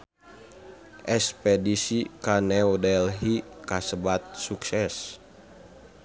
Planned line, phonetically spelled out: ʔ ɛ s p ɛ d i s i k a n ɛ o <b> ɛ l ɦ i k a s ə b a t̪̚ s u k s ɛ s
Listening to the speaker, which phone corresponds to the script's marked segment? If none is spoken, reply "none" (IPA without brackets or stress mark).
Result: d